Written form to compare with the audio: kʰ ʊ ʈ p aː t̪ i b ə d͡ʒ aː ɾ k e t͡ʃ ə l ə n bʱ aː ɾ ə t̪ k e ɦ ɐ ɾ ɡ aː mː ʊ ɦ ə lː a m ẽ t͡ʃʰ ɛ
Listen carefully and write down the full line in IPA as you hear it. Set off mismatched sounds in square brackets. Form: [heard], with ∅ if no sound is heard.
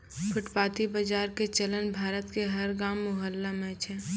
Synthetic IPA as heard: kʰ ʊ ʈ p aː t̪ i b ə d͡ʒ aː ɾ k e t͡ʃ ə l ə n bʱ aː ɾ ə t̪ k e ɦ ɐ ɾ ɡ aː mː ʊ ɦ ə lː a m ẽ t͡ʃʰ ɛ